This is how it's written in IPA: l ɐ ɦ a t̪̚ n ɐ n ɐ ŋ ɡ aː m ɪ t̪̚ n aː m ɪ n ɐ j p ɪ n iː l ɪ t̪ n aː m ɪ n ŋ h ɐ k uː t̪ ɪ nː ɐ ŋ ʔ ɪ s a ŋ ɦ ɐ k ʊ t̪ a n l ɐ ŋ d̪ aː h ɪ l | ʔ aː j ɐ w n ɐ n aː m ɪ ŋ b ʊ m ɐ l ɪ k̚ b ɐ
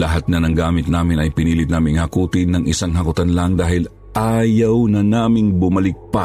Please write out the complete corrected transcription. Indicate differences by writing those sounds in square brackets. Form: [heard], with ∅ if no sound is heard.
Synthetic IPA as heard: l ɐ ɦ a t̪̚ n ɐ n ɐ ŋ ɡ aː m ɪ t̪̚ n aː m ɪ n ɐ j p ɪ n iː l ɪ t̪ n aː m ɪ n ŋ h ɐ k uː t̪ ɪ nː ɐ ŋ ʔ ɪ s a ŋ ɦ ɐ k ʊ t̪ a n l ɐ ŋ d̪ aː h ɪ l | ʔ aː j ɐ w n ɐ n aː m ɪ ŋ b ʊ m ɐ l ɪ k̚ [p] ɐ